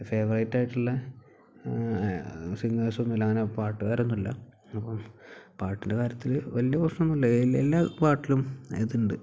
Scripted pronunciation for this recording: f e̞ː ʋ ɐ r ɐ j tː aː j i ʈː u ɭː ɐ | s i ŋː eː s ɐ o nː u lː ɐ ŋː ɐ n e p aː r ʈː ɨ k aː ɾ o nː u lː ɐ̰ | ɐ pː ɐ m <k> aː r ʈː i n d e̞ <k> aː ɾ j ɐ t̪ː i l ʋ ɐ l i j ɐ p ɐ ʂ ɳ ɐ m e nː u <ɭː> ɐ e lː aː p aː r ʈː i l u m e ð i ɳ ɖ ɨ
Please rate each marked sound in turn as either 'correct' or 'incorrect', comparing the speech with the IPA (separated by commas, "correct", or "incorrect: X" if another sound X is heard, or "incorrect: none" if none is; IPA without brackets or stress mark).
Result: incorrect: p, correct, incorrect: lː